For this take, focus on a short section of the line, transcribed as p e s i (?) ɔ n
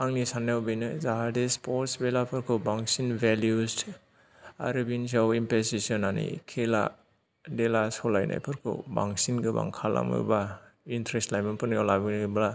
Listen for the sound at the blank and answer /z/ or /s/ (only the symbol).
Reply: s